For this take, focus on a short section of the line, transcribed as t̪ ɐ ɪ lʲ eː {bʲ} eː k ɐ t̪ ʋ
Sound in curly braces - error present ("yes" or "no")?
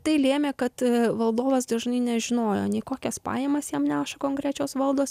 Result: yes